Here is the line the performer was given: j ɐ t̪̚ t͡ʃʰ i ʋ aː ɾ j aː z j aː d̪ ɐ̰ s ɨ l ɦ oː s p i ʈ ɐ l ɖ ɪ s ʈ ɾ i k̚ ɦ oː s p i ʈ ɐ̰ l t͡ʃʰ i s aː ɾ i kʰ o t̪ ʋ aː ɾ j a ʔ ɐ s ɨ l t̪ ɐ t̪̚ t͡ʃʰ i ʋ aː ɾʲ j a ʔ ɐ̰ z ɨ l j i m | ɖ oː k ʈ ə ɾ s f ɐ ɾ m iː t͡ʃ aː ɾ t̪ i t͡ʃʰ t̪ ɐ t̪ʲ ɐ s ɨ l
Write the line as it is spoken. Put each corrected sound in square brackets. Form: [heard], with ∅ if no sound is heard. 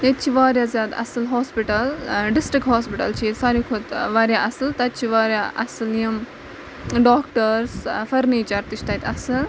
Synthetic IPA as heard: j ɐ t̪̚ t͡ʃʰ i ʋ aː ɾ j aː z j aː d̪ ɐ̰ s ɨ l ɦ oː s p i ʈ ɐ l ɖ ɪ s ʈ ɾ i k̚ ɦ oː s p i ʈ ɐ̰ l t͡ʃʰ i s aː ɾ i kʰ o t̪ ʋ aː ɾ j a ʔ ɐ s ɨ l t̪ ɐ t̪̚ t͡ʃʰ i ʋ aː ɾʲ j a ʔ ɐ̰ [s] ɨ l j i m | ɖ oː k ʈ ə ɾ s f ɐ ɾ [n] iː t͡ʃ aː ɾ t̪ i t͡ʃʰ t̪ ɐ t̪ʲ ɐ s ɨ l